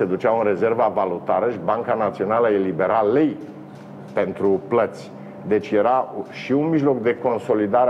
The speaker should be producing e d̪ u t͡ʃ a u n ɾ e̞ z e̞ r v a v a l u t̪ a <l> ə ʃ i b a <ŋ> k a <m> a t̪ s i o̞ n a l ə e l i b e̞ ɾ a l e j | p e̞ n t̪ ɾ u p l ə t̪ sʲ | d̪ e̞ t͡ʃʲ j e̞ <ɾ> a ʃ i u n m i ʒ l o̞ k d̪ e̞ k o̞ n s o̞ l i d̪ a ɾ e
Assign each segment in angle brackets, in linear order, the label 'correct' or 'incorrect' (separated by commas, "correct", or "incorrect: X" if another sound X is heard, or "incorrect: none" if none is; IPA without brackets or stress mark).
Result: incorrect: ɾ, correct, incorrect: n, correct